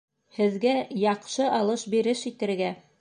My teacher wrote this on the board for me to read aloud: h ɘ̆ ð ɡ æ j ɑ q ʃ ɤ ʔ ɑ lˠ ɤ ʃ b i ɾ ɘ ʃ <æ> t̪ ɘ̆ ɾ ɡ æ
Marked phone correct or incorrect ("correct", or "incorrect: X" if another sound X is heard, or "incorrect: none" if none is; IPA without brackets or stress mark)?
incorrect: i